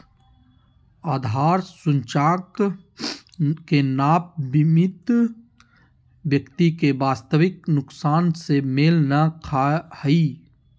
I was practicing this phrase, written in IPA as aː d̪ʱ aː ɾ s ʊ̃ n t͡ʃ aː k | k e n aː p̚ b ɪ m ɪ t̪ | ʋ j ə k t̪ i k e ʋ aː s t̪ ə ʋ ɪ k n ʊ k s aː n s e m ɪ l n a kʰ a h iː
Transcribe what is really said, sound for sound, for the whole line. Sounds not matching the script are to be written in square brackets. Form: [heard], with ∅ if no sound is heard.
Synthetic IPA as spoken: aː d̪ʱ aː ɾ s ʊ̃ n t͡ʃ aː k | k e n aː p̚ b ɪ m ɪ t̪ | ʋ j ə k t̪ i k e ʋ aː s t̪ ə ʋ ɪ k n ʊ k s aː n s e m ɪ l n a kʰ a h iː